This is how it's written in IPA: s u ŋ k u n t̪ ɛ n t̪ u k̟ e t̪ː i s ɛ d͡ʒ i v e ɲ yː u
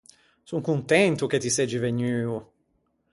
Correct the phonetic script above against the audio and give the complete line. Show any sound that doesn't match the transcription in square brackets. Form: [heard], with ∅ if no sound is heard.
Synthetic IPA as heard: s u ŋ k u n t̪ ɛ n t̪ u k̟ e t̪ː i s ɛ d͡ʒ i v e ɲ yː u